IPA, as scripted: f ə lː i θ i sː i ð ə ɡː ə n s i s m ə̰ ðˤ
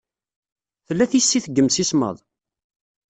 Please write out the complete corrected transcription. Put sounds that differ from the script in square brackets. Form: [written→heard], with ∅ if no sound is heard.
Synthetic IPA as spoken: [f→θ] ə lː [i→æ] θ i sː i [ð→θ] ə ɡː ə [n→m] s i s m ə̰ ðˤ